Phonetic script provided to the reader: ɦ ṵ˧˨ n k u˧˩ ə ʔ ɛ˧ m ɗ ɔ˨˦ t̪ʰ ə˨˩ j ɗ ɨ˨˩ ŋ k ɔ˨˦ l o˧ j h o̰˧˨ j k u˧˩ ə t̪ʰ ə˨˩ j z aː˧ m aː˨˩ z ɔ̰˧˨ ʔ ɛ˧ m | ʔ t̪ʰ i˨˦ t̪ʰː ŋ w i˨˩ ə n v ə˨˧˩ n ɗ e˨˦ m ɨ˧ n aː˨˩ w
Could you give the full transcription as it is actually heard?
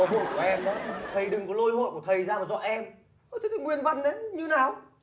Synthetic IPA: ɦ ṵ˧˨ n k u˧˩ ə ʔ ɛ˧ m ɗ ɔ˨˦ t̪ʰ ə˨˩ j ɗ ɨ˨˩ ŋ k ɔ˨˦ l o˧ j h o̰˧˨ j k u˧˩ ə t̪ʰ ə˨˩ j z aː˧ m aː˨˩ z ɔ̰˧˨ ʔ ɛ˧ m | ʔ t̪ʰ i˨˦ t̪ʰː ŋ w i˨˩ ə n v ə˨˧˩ n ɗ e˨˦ ɲ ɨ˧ n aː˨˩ w